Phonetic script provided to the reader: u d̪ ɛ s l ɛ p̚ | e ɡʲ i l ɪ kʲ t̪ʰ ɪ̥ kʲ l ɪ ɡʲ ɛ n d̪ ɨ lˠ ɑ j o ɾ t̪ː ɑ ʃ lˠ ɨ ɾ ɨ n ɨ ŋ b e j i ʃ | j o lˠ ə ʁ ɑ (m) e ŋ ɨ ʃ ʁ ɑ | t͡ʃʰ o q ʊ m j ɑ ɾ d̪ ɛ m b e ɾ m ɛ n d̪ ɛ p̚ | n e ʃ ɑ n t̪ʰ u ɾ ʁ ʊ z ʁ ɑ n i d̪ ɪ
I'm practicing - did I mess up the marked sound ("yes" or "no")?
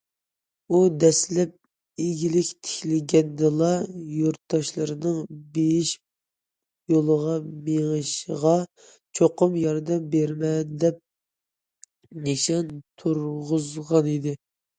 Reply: no